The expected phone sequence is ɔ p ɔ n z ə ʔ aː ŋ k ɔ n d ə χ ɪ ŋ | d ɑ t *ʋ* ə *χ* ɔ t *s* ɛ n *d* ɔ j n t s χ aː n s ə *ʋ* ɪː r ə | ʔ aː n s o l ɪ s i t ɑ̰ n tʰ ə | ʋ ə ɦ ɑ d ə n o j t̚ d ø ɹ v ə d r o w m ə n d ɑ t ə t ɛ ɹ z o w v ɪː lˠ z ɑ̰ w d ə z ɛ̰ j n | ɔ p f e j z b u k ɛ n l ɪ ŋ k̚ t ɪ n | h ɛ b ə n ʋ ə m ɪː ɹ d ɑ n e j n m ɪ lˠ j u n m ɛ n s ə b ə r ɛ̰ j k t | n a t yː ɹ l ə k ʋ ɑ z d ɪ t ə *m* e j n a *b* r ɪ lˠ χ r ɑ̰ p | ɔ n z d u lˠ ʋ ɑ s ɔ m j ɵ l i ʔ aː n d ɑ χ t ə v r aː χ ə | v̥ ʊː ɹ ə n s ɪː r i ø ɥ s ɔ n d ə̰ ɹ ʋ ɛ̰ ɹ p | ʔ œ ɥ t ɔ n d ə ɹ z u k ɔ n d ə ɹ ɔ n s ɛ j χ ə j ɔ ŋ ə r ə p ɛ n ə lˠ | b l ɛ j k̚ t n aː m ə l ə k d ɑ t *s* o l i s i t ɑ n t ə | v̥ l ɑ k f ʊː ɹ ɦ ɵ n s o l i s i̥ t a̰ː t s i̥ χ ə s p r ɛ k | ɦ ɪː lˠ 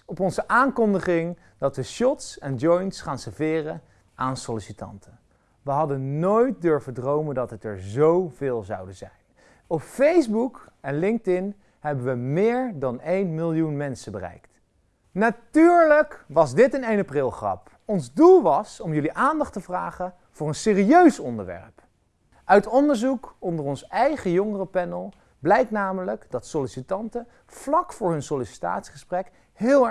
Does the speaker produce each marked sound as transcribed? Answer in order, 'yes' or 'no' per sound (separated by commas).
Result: yes, no, yes, no, no, no, no, yes